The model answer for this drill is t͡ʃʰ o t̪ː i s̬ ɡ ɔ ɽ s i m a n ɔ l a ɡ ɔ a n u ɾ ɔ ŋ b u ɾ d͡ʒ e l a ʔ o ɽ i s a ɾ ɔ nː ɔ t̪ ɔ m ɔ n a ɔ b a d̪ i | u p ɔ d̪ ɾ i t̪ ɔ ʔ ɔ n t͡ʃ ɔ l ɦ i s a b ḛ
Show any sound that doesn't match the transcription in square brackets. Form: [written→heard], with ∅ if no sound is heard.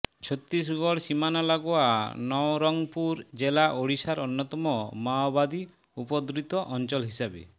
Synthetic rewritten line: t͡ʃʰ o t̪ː i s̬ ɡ ɔ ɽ s i m a n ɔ l a ɡ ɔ a n [u→ɔ] ɾ ɔ ŋ [b→p] u ɾ d͡ʒ e l a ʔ o ɽ i s a ɾ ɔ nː ɔ t̪ ɔ m ɔ [n→m] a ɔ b a d̪ i | u p ɔ d̪ ɾ i t̪ ɔ ʔ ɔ n t͡ʃ ɔ l ɦ i s a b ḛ